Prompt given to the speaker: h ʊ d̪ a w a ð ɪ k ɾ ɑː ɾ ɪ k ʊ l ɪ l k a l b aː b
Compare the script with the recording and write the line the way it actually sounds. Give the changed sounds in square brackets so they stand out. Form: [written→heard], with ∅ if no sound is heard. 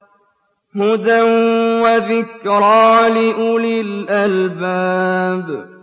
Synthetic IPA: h ʊ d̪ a w a ð ɪ k ɾ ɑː [ɾ→l] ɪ [k→ʔ] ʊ l ɪ l [k→ʔ] a l b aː b